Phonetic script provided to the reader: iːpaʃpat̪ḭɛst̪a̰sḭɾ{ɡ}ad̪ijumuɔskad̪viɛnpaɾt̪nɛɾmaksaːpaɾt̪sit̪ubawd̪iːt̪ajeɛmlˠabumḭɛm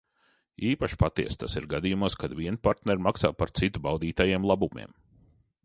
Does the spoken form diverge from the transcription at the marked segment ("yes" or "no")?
no